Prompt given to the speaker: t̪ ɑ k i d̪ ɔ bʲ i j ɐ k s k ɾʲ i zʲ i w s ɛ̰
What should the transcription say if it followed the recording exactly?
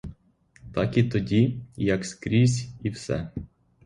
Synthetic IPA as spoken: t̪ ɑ k i t̪ ɔ dʲ i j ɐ k s k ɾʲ i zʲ i w s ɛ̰